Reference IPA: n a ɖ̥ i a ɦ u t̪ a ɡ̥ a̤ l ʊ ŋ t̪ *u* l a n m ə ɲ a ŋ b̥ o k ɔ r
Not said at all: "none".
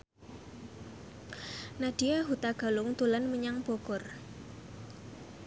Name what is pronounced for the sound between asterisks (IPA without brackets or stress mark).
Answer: u